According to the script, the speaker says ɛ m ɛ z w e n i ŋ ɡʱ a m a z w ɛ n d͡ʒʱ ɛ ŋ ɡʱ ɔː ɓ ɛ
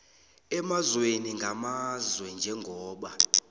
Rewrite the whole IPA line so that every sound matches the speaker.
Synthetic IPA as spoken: ɛ m a z w e n i ŋ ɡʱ a m a z w ɛ n d͡ʒʱ ɛ ŋ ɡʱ ɔː ɓ a